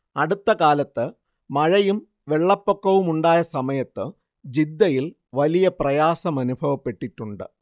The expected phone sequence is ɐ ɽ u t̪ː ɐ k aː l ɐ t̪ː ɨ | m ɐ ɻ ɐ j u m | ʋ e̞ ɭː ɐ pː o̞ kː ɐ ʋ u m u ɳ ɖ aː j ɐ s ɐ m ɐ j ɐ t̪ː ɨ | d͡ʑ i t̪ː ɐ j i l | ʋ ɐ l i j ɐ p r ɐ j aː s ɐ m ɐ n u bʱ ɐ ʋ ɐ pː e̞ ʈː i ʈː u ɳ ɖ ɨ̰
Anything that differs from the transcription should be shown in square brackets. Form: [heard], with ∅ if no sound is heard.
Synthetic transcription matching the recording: ɐ ɽ u t̪ː ɐ k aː l ɐ t̪ː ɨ | m ɐ ɻ ɐ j u m | ʋ e̞ ɭː ɐ pː o̞ kː ɐ ʋ u m u ɳ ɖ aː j ɐ s ɐ m ɐ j ɐ t̪ː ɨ | d͡ʑ i [d̪ː] ɐ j i l | ʋ ɐ l i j ɐ p r ɐ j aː s ɐ m ɐ n u bʱ ɐ ʋ ɐ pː e̞ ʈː i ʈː u ɳ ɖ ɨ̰